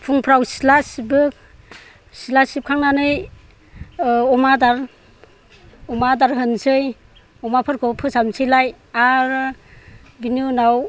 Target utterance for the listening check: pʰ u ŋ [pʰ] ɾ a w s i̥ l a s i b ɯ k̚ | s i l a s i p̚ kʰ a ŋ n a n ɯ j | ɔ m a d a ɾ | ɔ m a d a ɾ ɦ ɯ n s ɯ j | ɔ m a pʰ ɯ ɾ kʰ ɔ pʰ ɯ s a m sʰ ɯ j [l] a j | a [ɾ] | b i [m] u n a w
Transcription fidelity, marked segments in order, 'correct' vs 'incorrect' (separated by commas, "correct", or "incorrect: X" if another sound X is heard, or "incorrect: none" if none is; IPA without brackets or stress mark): correct, correct, correct, incorrect: n